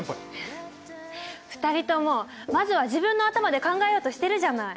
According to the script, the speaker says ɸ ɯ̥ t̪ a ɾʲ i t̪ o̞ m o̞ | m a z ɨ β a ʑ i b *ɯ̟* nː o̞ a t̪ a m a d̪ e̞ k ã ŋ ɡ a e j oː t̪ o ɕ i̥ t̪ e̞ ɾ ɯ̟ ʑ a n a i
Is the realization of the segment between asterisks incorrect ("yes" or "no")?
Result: yes